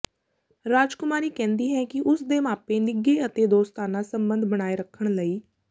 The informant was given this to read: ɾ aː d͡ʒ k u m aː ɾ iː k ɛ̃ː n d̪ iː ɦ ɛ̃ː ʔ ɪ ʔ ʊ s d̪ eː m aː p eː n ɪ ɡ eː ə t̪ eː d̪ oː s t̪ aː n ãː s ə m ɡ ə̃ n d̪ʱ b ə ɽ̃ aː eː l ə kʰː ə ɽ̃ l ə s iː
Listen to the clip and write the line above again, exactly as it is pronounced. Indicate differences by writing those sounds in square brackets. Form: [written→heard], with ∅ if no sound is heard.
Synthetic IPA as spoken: ɾ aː d͡ʒ k [u→ʊ] m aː ɾ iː k ɛ̃ː n d̪ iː ɦ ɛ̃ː [ʔ→k] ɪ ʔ ʊ s d̪ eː m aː p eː n ɪ ɡ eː ə t̪ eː d̪ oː s t̪ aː n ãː s ə m [ɡ→b] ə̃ n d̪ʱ b ə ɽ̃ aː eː [l→ɾ] ə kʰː ə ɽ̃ l ə [s→∅] iː